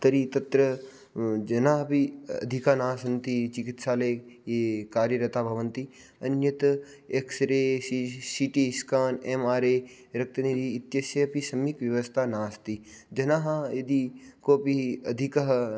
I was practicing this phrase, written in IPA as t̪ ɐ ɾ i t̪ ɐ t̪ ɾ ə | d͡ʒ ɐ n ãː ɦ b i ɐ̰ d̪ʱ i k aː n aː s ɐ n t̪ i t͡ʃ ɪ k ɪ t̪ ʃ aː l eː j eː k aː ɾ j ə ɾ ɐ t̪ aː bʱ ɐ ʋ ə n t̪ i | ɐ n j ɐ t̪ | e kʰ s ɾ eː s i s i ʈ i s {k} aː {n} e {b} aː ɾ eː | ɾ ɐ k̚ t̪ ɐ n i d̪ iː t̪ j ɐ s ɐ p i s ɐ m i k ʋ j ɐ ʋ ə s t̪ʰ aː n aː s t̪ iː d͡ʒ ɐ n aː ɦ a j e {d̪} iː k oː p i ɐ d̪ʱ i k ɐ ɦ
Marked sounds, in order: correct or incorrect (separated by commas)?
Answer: correct, correct, incorrect, correct